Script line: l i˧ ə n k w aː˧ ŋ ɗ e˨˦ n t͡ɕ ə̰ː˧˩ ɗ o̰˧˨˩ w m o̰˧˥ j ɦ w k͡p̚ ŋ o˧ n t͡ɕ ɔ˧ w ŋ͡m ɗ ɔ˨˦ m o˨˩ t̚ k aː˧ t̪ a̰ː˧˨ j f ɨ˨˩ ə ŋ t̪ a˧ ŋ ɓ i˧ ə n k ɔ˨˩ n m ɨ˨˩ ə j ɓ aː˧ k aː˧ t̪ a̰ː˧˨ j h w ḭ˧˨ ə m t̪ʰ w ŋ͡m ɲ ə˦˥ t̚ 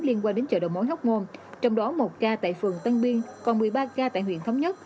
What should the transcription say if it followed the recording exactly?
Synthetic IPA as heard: l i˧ ə n k w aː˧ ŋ ɗ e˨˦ n t͡ɕ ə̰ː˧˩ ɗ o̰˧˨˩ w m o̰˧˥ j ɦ w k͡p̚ ŋ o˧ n t͡ɕ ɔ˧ w ŋ͡m ɗ ɔ˨˦ m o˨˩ t̚ k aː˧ t̪ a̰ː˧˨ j f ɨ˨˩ ə ŋ t̪ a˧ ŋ ɓ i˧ ə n k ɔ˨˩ n m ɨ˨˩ ə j ɓ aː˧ k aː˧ t̪ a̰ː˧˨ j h w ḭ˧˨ ə n t̪ʰ w ŋ͡m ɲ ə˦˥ t̚